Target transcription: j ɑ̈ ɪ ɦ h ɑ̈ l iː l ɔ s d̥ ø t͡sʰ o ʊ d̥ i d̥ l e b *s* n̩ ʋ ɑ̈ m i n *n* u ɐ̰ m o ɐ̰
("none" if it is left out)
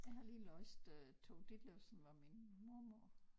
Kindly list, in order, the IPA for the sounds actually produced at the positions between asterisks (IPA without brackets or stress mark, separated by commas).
s, m